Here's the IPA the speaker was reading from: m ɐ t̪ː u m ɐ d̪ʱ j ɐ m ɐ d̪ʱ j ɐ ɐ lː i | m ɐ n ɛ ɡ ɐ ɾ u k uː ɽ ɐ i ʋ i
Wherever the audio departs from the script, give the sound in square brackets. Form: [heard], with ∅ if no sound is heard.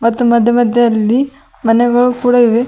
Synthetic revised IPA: m ɐ t̪ː u m ɐ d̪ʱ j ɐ m ɐ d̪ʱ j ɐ ɐ lː i | m ɐ n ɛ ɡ ɐ [ɭ] u k uː ɽ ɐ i ʋ [e]